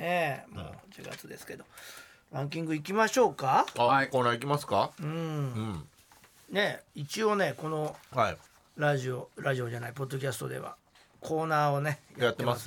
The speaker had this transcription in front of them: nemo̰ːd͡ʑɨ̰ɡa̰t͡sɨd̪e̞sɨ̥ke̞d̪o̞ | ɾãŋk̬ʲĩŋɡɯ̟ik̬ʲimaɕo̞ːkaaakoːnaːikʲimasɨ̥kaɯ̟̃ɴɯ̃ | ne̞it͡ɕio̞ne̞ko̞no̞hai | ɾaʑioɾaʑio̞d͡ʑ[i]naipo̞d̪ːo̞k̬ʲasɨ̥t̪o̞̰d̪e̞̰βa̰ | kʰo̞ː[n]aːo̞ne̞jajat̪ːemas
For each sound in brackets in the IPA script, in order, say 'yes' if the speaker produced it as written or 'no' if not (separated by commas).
no, yes